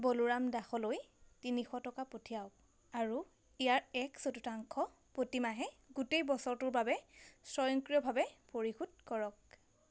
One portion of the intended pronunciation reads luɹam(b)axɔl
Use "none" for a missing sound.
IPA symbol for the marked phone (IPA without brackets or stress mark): d